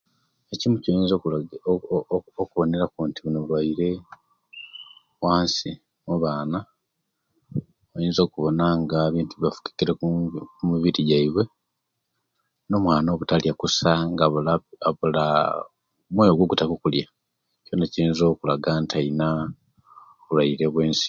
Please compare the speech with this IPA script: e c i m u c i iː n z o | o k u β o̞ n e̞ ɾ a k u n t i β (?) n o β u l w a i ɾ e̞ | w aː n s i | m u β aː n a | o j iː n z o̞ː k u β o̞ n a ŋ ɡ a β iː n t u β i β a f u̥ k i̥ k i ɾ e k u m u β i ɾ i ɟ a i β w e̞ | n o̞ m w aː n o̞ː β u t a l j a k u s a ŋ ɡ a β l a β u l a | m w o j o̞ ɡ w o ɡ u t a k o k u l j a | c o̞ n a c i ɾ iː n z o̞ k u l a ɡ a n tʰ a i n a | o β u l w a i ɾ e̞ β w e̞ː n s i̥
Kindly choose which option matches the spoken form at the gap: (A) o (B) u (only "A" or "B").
B